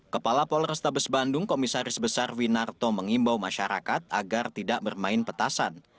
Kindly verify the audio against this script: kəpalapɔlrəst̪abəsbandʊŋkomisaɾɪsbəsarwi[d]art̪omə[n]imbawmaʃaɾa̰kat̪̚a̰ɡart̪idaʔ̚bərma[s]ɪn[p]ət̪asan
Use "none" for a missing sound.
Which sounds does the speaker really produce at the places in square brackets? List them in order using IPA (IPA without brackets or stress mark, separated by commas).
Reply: n, ŋ, none, p